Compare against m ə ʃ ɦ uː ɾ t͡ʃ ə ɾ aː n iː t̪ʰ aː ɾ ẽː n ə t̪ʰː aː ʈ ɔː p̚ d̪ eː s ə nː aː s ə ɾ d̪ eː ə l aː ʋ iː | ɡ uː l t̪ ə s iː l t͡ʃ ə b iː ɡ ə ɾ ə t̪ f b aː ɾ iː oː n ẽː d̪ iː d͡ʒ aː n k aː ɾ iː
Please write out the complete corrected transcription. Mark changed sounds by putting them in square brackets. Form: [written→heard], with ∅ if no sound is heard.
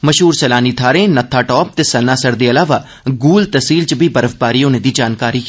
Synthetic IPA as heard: m ə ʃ ɦ uː ɾ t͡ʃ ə [ɾ→l] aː n iː t̪ʰ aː ɾ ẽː n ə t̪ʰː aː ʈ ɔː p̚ [d̪→t̪] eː s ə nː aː s ə ɾ d̪ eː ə l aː ʋ [iː→aː] | ɡ uː l t̪ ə s iː l t͡ʃ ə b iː [ɡ→b] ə ɾ ə [t̪→∅] f b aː ɾ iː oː n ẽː d̪ iː d͡ʒ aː n k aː ɾ iː